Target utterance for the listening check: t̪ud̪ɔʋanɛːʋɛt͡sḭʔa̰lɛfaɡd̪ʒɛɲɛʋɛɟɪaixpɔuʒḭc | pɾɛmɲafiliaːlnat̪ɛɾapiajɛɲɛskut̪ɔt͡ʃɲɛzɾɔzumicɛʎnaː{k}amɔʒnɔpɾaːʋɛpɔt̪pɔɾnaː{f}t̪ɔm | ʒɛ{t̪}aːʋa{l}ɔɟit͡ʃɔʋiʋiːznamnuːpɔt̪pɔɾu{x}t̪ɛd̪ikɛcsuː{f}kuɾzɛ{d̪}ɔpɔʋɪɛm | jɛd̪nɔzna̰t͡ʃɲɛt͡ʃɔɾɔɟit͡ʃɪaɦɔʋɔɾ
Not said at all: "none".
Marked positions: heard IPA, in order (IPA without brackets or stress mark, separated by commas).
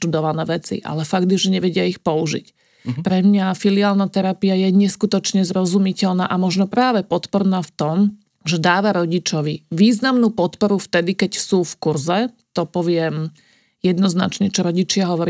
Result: ʔ, f, d̪, ɾ, f, f, t̪